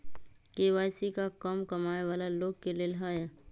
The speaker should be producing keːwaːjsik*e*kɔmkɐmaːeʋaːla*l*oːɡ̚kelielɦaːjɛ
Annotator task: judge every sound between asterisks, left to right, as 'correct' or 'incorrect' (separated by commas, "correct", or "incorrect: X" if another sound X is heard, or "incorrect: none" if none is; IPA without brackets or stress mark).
incorrect: a, correct